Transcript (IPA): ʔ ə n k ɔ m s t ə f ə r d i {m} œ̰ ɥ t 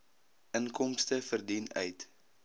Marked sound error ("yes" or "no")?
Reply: yes